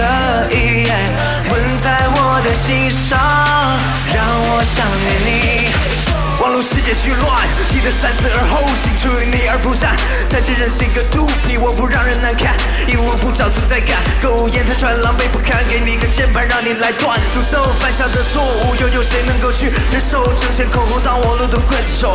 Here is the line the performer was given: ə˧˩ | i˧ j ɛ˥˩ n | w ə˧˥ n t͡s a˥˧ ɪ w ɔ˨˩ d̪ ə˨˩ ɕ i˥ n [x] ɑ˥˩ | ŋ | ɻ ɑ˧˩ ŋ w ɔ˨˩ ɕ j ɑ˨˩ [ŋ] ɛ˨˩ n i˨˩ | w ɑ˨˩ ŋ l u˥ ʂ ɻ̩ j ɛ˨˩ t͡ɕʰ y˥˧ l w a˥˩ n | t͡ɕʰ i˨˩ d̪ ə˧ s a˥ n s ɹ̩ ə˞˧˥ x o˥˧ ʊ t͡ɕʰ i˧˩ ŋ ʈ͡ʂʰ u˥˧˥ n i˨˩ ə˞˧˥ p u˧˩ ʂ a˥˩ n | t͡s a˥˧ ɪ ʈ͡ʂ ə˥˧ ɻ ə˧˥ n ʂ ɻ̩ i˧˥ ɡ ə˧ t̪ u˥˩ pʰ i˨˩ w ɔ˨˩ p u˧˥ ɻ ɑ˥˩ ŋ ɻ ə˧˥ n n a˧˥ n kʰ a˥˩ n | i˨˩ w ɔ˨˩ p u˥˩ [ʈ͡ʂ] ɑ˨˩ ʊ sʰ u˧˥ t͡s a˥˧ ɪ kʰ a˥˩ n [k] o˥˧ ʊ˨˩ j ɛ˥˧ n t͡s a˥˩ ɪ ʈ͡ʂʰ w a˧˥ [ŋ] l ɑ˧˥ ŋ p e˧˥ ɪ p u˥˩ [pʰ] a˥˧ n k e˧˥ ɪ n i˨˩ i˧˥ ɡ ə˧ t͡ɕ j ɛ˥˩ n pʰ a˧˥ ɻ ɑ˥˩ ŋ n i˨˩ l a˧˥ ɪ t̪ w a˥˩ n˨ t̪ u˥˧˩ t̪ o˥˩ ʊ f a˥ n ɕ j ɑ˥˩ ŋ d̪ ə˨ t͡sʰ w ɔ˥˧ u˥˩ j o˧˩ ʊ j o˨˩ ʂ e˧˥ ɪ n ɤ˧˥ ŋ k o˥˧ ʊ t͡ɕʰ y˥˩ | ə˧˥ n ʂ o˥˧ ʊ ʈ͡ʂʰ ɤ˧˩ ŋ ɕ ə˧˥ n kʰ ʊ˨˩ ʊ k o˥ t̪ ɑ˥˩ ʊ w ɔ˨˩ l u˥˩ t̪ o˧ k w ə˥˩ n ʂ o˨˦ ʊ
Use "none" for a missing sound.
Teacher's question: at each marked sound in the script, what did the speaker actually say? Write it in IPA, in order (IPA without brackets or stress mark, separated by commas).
ʂ, ŋ, ʈ͡ʂ, k, n, kʰ